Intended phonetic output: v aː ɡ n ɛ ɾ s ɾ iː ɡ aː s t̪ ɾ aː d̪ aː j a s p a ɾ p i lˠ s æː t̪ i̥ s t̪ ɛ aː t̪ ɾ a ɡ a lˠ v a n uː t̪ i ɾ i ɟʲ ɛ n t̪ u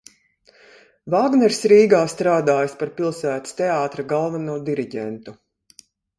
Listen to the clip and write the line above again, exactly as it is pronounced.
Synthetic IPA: v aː ɡ n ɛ ɾ s ɾ iː ɡ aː s t̪ ɾ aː d̪ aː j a s p a ɾ p i lˠ s æː t̪ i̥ s t̪ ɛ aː t̪ ɾ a ɡ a lˠ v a n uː d̪ i ɾ i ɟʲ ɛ n t̪ u

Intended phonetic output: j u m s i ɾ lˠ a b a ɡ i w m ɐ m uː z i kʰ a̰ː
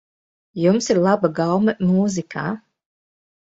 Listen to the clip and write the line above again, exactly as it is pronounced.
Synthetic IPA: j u m s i ɾ lˠ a b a ɡ a w m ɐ m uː z i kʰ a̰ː

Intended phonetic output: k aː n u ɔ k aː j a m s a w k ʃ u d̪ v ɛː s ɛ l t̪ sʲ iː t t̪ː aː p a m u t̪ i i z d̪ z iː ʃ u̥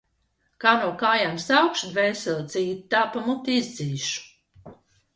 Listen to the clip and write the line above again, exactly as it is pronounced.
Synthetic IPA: k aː n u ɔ k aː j a m s a w k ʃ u d̪ v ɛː s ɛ l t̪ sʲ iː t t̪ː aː p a m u t̪ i i z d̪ z iː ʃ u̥

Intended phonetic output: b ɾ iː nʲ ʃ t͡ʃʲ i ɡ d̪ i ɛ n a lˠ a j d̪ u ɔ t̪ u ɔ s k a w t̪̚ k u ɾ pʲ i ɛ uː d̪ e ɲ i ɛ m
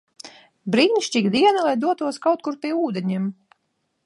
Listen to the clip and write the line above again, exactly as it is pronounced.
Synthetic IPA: b ɾ iː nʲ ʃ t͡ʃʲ i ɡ d̪ i ɛ n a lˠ a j d̪ u ɔ t̪ u ɔ s k a w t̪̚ k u ɾ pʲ i ɛ uː d̪ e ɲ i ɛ m

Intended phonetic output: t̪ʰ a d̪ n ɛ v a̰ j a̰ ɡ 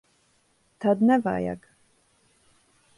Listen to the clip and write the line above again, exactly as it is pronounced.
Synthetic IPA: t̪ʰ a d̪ n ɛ v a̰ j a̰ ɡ

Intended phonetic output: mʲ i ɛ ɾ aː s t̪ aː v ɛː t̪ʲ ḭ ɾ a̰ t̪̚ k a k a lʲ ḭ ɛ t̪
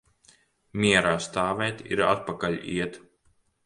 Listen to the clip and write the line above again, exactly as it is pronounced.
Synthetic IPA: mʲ i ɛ ɾ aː s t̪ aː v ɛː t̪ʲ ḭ ɾ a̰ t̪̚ p a k a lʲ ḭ ɛ t̪

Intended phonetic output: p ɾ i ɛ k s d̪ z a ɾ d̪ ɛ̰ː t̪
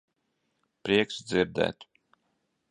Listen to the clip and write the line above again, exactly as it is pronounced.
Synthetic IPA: p ɾ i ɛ k s d̪ z i ɾ d̪ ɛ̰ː t̪

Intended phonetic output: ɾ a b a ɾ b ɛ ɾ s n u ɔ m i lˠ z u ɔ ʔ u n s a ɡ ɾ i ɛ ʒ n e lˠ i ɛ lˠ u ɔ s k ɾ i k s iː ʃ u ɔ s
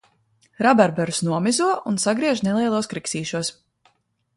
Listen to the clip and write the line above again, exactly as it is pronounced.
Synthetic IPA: ɾ a b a ɾ b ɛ ɾ s n u ɔ m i z u ɔ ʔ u n s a ɡ ɾ i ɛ ʒ n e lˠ i ɛ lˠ u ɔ s k ɾ i k s iː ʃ u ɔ s

